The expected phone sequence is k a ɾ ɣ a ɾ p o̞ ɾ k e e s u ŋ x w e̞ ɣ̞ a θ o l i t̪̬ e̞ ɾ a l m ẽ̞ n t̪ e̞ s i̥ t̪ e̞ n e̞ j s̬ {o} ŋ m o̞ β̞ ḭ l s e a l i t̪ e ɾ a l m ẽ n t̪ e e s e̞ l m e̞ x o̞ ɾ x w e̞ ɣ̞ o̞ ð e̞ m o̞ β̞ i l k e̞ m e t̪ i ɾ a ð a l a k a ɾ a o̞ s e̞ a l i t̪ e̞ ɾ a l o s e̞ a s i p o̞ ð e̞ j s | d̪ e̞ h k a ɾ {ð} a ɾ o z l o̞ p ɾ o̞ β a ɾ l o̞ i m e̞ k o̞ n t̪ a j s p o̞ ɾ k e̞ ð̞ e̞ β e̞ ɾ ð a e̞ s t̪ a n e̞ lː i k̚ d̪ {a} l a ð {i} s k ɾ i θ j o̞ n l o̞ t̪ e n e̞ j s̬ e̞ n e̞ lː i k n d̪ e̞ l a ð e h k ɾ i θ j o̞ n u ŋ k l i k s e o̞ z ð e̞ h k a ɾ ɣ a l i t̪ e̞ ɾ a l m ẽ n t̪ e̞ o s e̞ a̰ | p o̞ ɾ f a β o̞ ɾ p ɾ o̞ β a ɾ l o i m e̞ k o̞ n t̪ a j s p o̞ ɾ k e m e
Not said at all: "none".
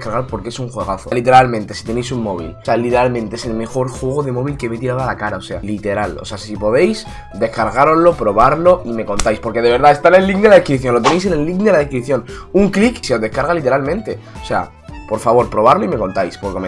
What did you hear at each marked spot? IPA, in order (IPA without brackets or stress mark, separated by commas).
u, ɣ, e, e